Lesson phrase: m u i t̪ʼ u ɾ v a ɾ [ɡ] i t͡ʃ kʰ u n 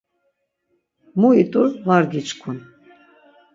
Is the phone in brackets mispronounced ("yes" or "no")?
no